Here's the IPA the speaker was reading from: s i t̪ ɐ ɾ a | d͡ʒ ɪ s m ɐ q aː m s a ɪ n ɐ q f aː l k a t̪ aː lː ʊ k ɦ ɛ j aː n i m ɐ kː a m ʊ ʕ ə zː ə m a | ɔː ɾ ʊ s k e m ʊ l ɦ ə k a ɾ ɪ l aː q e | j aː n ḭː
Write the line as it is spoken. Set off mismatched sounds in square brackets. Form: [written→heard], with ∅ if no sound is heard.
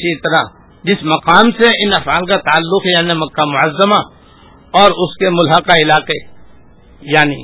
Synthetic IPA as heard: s i t̪ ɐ ɾ a | d͡ʒ ɪ s m ɐ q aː m s [a→e] ɪ n ɐ [q→∅] f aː l k a t̪ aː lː ʊ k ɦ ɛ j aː n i m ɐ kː a m ʊ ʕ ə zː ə m a | ɔː ɾ ʊ s k e m ʊ l ɦ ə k a [ɾ→∅] ɪ l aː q e | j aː n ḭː